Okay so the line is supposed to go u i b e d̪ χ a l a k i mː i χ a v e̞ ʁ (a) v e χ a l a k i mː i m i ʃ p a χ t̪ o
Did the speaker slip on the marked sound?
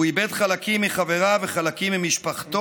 no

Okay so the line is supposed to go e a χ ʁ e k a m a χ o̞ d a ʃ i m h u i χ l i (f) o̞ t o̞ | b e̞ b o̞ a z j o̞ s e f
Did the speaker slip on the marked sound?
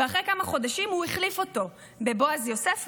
no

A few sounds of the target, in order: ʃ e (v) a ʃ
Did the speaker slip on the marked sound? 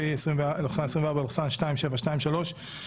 no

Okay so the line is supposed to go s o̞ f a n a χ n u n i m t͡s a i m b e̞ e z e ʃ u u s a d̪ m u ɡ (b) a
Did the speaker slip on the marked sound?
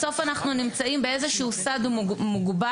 no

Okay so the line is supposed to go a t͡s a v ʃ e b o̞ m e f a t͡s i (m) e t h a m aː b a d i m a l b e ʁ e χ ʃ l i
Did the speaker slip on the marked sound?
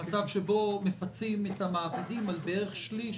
no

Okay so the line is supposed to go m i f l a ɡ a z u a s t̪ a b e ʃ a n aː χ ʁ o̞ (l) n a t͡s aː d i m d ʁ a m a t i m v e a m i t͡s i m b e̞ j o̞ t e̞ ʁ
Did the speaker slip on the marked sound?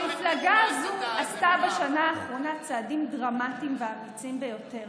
yes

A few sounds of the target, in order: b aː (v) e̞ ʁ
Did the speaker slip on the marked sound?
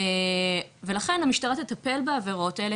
no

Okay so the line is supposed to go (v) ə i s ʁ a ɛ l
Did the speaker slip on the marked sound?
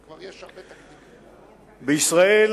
yes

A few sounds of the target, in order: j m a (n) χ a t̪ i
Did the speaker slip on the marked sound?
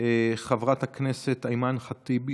no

